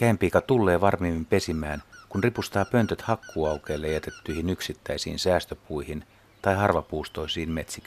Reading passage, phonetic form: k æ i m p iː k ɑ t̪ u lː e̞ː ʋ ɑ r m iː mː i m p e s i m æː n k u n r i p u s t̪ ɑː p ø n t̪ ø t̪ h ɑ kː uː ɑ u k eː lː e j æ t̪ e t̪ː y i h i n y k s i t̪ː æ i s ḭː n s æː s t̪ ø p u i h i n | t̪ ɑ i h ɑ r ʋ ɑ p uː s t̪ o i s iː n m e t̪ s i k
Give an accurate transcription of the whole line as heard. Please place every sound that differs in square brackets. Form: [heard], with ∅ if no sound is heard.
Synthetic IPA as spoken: k æ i m p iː k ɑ t̪ u lː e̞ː ʋ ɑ r m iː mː i m p e s i m æː n k u n r i p u s t̪ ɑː p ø n t̪ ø t̪ h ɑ kː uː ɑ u k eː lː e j æ t̪ e t̪ː y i h i n y k s i t̪ː æ i s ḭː n s æː s t̪ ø p u i h i n | t̪ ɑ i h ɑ r ʋ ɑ p uː s t̪ o i s iː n m e t̪ s i k